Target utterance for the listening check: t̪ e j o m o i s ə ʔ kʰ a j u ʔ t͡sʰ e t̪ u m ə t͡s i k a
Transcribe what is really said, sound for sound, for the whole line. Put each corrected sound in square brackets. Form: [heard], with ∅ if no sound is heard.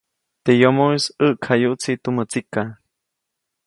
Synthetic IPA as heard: t̪ e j o m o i s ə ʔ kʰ a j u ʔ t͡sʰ [i] t̪ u m ə t͡s i k a